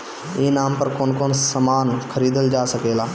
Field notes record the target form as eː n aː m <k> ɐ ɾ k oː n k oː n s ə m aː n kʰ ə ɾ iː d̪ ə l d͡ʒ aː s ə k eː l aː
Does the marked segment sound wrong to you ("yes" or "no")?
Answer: yes